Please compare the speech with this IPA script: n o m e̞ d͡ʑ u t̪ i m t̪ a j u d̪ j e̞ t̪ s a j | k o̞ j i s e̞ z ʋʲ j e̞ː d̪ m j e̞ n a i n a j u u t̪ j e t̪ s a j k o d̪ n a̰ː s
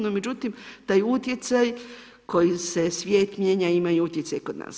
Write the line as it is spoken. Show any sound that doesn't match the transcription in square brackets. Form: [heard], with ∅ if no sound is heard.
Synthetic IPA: n o m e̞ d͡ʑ u t̪ i m t̪ a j u [t̪] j e̞ t̪ s a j | k o̞ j i s e̞ [s] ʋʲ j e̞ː [t̪] m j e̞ [ɲ] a i [m] a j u u t̪ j e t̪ s a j k o d̪ n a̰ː s